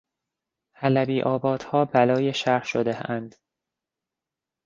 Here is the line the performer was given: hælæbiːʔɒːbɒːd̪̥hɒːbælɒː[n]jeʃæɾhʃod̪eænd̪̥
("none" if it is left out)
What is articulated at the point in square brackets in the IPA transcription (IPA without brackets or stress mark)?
none